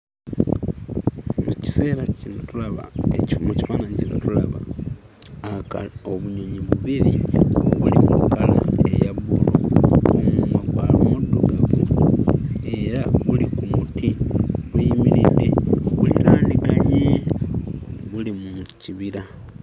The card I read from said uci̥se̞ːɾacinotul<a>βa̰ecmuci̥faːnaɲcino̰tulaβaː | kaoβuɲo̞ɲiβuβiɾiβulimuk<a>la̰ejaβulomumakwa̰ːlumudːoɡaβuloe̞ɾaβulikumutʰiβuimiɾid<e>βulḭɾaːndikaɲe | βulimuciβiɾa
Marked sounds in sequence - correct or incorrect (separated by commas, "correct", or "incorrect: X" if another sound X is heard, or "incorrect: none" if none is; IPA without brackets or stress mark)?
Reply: correct, correct, correct